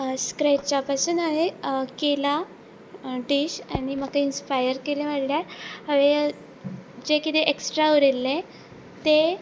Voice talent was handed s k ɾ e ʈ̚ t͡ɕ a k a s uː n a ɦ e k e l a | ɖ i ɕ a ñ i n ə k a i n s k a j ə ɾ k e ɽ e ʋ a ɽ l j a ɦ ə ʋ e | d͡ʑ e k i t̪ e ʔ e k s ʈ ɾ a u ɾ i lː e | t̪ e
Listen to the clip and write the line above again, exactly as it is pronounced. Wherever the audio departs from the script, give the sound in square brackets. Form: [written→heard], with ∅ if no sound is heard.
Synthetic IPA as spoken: s k ɾ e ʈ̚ t͡ɕ a [k→p] a s uː n a ɦ e k e l a | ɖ i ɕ a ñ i [n→m] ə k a i n s [k→p] a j ə ɾ k e [ɽ→l] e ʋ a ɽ l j a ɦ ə ʋ e | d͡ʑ e k i t̪ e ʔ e k s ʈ ɾ a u ɾ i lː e | t̪ e